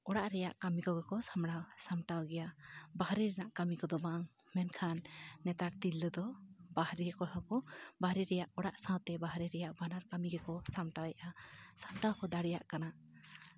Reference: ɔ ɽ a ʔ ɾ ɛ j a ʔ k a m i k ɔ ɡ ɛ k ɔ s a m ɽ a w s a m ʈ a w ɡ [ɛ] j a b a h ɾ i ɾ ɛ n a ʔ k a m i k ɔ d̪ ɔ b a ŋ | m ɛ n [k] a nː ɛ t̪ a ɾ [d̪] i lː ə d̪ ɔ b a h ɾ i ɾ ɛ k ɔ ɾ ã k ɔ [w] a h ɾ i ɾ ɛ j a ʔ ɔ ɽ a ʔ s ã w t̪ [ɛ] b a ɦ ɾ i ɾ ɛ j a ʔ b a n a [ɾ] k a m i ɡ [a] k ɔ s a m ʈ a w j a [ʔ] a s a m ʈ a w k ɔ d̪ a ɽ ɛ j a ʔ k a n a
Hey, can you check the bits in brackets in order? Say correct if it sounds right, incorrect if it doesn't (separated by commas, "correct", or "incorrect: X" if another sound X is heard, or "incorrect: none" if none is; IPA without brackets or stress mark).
correct, incorrect: kʰ, incorrect: t̪, incorrect: b, correct, correct, incorrect: ɛ, correct